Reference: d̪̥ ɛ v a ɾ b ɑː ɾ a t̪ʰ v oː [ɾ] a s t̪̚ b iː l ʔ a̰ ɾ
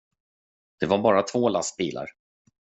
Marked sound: incorrect: l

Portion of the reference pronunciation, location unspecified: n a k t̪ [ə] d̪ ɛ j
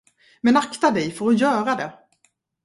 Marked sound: incorrect: a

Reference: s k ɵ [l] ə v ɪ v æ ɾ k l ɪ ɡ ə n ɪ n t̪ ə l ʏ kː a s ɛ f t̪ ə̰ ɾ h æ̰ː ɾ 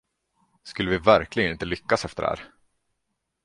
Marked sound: incorrect: lː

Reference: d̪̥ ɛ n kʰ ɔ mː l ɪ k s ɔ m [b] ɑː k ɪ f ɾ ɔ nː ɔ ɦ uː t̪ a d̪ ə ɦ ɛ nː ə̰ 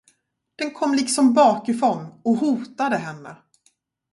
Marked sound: correct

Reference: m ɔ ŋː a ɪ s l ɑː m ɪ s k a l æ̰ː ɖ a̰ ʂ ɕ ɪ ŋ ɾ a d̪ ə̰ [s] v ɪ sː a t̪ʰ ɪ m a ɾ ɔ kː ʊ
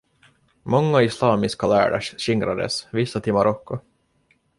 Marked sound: correct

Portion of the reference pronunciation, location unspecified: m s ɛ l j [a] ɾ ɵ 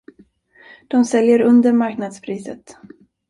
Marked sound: incorrect: ə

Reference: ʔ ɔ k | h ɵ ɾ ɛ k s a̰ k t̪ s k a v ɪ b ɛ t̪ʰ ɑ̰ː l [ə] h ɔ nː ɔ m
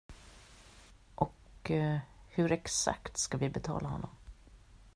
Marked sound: incorrect: a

